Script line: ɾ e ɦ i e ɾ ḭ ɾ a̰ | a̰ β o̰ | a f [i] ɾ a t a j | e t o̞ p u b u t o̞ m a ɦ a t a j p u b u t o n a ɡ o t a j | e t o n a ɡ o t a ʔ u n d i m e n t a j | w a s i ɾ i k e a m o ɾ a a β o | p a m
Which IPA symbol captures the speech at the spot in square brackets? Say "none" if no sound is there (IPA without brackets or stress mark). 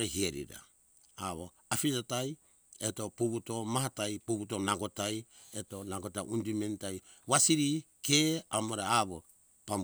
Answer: i